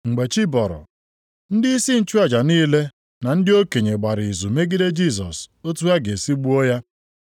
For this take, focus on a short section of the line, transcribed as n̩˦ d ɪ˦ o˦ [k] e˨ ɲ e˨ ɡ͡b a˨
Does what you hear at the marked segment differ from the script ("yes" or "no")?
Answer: no